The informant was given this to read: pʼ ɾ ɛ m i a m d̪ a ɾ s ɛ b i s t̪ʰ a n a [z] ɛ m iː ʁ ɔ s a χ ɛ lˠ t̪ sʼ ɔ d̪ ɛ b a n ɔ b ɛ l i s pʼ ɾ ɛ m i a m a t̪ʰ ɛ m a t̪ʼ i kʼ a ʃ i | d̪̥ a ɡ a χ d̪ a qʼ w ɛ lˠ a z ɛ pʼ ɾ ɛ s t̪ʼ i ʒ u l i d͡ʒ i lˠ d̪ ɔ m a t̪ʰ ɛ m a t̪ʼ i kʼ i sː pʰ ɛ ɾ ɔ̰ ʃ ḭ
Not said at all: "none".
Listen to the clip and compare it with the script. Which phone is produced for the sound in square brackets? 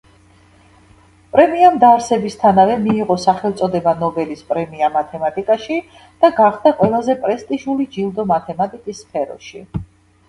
v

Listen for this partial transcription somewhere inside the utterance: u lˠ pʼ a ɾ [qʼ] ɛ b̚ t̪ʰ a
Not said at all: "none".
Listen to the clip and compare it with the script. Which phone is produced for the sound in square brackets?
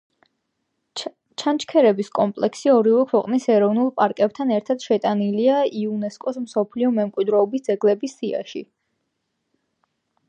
kʼ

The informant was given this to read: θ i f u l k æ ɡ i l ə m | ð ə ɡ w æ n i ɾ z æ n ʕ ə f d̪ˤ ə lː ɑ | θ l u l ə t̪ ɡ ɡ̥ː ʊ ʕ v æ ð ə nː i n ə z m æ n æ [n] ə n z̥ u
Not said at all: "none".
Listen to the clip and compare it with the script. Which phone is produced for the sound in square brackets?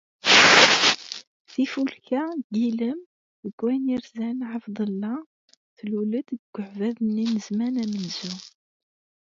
m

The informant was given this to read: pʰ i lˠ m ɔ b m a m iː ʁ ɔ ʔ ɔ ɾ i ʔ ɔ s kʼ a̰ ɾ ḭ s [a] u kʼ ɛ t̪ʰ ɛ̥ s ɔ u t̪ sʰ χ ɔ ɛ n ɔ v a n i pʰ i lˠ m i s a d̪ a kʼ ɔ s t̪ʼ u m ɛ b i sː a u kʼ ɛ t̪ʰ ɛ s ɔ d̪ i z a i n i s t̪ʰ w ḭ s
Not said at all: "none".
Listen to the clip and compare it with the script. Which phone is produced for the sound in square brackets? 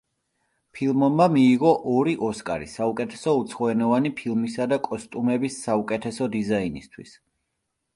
a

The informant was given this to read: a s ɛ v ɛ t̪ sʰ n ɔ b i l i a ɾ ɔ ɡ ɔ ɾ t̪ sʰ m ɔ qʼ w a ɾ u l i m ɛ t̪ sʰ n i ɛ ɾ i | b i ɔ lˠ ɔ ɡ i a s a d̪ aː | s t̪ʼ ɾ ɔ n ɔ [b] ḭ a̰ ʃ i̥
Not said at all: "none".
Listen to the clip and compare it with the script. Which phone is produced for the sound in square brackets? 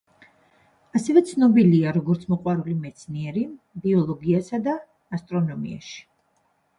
m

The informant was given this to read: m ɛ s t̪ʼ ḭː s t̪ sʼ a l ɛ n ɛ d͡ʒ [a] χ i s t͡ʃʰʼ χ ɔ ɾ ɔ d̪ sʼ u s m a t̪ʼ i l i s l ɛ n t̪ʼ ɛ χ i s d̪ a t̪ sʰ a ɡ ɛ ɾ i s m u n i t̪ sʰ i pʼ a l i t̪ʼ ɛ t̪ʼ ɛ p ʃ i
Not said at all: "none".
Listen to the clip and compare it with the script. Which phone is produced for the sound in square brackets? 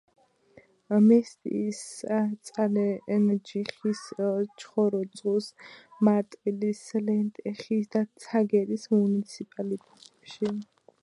i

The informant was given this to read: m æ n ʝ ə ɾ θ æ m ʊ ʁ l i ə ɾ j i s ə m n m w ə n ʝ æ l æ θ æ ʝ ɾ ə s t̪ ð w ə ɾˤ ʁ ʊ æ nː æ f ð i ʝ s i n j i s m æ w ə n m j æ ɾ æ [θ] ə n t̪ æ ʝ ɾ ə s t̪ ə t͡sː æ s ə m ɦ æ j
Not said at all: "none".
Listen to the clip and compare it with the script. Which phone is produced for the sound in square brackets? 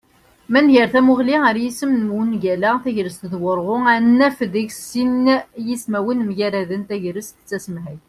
ð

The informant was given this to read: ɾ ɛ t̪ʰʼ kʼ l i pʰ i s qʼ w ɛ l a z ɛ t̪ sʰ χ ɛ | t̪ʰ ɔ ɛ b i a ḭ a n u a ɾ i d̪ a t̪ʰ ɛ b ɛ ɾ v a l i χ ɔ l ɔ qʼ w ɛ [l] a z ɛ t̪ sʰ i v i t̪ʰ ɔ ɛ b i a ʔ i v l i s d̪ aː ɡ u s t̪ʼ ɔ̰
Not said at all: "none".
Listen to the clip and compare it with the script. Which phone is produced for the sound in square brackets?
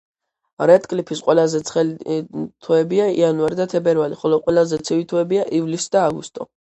l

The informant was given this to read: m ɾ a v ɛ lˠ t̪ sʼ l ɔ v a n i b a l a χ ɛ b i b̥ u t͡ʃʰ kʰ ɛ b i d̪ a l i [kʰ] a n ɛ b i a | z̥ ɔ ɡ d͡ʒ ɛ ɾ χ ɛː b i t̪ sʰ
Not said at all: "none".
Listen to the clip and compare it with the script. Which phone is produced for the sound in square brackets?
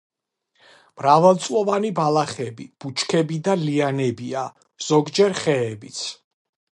none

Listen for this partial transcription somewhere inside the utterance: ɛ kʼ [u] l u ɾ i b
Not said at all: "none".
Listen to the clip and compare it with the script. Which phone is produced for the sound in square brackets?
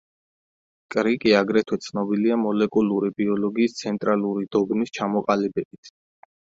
u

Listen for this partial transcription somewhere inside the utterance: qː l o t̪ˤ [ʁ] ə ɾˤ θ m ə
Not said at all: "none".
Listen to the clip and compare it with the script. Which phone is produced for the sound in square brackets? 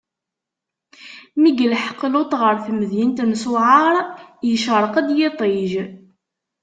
ʁ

